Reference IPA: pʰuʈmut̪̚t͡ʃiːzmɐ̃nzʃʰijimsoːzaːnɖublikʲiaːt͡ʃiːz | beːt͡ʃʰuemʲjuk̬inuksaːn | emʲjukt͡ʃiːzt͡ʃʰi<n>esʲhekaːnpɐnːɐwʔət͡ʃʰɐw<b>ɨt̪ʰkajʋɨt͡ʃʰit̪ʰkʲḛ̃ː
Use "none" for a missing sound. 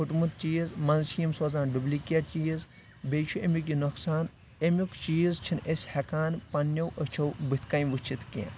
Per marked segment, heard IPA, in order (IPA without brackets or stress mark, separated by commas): n, b